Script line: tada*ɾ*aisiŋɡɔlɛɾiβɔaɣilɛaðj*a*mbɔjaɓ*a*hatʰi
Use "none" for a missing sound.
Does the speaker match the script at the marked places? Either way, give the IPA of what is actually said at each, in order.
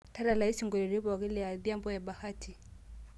l, a, a

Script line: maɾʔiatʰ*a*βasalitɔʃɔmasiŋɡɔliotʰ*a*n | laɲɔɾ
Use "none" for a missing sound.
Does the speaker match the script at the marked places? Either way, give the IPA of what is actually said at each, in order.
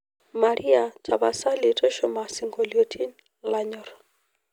a, i

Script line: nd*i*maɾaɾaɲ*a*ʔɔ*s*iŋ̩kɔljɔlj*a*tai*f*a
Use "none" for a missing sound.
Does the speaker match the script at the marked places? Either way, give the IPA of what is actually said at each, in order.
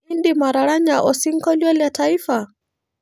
i, a, s, a, f

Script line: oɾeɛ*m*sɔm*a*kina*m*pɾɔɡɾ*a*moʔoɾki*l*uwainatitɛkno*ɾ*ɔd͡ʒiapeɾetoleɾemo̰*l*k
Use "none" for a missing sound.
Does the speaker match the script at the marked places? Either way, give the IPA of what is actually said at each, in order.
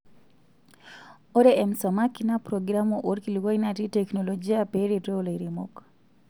m, a, none, a, l, l, none

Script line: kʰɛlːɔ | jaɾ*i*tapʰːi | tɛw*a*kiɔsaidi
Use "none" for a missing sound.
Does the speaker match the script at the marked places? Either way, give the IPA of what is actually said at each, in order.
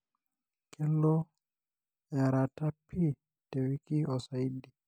a, i

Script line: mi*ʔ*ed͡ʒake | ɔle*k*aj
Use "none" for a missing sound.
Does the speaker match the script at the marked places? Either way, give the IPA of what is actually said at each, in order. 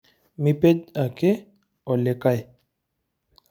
p, k

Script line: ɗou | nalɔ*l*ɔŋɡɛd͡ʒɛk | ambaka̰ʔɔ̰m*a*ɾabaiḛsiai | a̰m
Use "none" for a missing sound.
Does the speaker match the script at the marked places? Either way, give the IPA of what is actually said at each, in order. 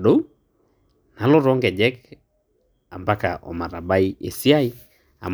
ɾ, a

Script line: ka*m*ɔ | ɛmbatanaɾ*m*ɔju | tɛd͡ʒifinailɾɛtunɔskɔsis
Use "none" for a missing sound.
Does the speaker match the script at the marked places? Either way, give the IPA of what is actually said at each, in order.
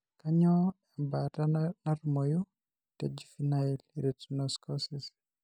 ɲ, m

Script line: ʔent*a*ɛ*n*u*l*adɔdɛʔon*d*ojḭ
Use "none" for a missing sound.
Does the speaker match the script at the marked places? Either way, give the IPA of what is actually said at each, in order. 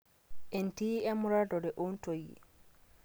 i, m, ɾ, t

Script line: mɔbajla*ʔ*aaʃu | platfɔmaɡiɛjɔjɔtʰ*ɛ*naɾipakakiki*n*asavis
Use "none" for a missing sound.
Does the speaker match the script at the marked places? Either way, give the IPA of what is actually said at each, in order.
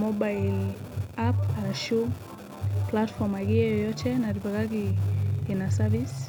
p, ɛ, n

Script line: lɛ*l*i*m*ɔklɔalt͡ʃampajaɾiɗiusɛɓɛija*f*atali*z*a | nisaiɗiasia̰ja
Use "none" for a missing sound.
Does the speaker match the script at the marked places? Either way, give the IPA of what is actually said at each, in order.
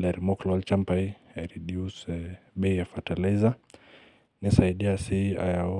ɾ, m, f, z

